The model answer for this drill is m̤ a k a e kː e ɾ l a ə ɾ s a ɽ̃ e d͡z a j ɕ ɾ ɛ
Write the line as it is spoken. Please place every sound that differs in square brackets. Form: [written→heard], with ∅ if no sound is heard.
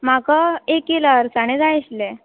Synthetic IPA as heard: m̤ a k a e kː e [ɾ→∅] l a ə ɾ s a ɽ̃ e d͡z a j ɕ [ɾ→l] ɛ

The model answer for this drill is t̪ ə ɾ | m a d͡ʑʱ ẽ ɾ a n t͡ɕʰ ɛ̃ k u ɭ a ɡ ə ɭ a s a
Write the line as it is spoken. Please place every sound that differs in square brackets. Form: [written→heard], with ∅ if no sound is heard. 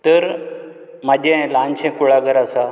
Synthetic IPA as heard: t̪ ə ɾ | m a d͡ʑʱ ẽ [ɾ→l] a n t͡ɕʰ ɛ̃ k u ɭ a ɡ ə [ɭ→ɾ] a s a

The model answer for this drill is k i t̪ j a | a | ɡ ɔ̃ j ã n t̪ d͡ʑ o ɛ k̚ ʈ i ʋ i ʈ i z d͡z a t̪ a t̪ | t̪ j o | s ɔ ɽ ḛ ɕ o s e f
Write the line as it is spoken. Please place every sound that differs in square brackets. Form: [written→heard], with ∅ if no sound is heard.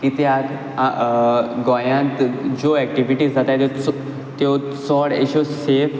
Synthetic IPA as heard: k i t̪ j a | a | ɡ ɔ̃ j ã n t̪ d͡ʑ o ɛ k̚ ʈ i ʋ i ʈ i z d͡z a t̪ a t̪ | t̪ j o | s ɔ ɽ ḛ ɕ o s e f

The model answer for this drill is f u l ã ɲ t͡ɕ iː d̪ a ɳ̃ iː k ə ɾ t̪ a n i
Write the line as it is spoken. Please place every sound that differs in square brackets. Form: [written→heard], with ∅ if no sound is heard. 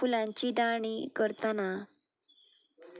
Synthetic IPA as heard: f u l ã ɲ t͡ɕ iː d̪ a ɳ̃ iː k ə ɾ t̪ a n [i→a]

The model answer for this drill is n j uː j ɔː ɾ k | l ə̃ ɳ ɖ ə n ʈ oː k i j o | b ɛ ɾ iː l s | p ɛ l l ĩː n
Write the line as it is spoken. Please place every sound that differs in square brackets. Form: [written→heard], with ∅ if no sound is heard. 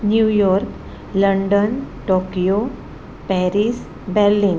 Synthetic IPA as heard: n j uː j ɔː ɾ k | l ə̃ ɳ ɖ ə n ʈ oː k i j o | [b→p] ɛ ɾ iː [l→∅] s | [p→b] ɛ [l→ɾ] l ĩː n

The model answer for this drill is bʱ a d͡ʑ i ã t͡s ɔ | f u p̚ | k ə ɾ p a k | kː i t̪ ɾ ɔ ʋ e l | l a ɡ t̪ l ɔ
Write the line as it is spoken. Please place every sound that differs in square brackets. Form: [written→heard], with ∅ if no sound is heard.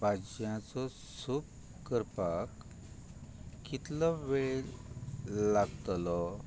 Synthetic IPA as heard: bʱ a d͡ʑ [i→j] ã t͡s ɔ | [f→s] u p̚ | k ə ɾ p a k | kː i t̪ [ɾ→l] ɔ ʋ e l | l a ɡ t̪ l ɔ

